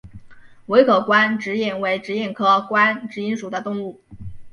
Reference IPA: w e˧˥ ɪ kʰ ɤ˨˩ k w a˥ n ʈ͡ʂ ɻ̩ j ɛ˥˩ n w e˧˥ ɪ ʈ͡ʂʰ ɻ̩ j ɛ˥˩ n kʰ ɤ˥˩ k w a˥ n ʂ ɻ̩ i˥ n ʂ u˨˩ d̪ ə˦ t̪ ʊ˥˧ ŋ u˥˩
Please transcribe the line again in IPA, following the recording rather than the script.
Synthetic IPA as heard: w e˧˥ ɪ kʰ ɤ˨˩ k w a˥ n ʈ͡ʂ ɻ̩ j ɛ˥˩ n w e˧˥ ɪ ʈ͡ʂ ɻ̩ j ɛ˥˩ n kʰ ɤ˥ k w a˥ n ʈ͡ʂ ɻ̩ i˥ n ʂ u˨˩ d̪ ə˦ t̪ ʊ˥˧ ŋ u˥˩